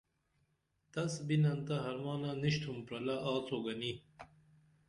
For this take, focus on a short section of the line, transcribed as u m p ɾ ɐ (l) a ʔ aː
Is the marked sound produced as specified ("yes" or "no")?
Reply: yes